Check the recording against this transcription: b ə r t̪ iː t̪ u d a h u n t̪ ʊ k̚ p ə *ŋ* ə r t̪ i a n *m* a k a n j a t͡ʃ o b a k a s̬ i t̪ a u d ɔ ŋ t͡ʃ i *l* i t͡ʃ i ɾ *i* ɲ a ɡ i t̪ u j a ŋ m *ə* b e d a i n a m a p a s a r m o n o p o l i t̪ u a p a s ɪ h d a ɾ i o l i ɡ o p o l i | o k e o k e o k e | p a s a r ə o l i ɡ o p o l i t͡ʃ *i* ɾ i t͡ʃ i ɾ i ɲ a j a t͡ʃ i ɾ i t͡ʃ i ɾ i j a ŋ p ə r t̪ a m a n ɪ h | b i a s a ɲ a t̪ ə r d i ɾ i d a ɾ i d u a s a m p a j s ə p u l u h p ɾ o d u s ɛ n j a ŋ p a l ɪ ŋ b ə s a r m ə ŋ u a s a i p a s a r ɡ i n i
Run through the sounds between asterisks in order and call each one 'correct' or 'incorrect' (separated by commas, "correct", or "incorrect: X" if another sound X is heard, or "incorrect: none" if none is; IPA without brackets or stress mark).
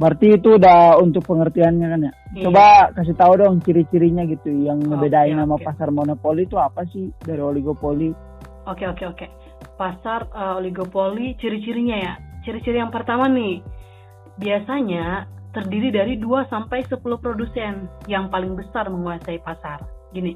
correct, incorrect: ɲ, incorrect: ɾ, correct, correct, correct